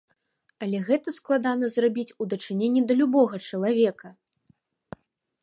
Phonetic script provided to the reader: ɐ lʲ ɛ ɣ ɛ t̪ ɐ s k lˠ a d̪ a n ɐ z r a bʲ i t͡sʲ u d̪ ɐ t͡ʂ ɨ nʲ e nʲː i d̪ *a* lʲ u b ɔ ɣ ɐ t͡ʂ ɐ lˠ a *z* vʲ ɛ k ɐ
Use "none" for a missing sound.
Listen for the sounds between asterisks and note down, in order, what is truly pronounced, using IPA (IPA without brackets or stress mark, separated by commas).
ɐ, none